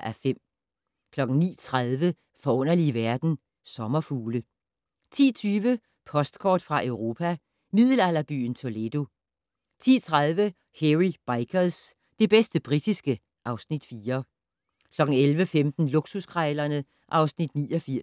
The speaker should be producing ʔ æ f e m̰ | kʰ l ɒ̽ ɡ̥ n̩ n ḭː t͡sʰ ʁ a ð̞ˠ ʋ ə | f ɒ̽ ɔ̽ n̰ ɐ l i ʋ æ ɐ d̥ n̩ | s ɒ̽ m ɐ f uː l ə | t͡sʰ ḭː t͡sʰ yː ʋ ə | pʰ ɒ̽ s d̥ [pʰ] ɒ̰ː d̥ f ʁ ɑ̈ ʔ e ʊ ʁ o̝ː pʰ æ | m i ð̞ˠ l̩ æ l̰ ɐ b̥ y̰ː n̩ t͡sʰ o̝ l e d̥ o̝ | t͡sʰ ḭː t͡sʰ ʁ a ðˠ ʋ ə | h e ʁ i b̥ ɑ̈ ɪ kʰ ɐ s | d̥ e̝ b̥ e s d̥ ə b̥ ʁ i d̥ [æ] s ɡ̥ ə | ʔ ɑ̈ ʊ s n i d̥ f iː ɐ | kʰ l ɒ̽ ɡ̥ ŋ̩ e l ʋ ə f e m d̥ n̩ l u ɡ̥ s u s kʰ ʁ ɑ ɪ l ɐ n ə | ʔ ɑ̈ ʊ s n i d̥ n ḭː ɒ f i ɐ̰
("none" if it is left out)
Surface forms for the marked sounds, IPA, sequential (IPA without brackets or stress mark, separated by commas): kʰ, i